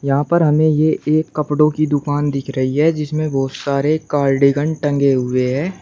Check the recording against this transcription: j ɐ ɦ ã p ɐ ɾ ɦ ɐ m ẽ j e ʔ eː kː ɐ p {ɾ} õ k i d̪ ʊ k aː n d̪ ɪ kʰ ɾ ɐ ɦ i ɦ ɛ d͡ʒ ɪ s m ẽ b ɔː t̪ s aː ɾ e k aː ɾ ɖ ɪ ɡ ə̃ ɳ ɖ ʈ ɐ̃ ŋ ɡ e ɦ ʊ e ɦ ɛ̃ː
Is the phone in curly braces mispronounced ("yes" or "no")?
yes